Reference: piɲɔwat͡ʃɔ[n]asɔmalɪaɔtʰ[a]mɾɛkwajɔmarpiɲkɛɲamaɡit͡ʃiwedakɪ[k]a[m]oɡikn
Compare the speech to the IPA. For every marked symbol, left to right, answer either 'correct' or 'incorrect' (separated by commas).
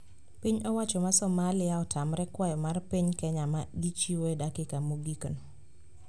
incorrect, correct, correct, correct